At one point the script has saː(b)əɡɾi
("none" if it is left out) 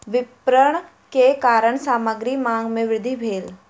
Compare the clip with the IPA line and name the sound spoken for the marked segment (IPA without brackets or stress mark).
m